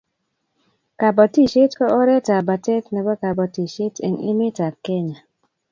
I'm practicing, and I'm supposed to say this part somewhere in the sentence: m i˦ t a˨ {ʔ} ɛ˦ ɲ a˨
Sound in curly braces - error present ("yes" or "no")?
yes